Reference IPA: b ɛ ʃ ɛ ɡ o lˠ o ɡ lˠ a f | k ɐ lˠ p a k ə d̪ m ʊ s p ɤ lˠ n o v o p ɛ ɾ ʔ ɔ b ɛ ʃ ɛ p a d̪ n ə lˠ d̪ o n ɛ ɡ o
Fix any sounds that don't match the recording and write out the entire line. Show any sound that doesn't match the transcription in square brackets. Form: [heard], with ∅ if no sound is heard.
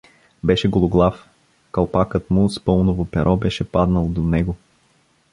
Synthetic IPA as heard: b ɛ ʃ ɛ ɡ o lˠ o ɡ lˠ a f | k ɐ lˠ p a k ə [t̪] m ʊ s p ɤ lˠ n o v o p ɛ ɾ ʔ ɔ b ɛ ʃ ɛ p a d̪ n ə lˠ d̪ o n ɛ ɡ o